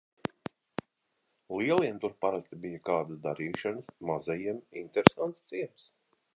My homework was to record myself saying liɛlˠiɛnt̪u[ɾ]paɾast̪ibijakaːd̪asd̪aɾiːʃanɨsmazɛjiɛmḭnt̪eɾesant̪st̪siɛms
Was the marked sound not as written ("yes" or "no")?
no